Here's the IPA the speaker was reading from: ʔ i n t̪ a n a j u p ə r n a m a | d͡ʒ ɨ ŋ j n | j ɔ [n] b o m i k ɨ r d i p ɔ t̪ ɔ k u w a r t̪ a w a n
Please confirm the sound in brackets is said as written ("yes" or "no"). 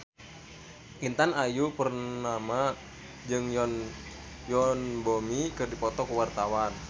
yes